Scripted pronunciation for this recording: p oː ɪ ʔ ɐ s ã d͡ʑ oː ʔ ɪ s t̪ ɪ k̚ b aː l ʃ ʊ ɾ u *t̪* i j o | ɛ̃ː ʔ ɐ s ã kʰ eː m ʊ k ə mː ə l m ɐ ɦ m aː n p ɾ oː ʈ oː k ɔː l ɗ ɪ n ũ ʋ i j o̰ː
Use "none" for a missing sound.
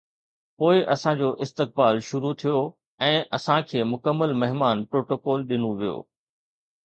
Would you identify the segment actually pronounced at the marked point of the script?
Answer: t̪ʰ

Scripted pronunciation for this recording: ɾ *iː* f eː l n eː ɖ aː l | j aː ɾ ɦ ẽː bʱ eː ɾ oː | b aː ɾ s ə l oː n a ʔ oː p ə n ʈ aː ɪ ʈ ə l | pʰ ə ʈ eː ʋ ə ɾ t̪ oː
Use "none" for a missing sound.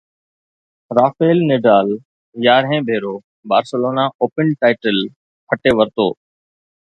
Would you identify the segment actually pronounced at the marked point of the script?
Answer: aː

